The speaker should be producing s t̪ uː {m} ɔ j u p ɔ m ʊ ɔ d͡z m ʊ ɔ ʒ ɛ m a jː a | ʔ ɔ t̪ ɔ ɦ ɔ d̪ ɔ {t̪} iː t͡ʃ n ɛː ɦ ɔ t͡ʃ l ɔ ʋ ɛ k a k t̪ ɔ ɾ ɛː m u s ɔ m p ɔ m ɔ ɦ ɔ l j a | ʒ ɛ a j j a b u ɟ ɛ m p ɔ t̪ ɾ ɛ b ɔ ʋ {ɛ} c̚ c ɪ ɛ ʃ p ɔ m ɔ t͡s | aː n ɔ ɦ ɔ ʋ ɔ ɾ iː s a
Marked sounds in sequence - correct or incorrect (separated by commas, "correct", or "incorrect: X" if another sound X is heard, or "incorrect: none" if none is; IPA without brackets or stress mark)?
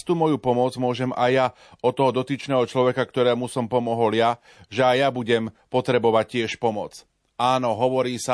correct, correct, incorrect: a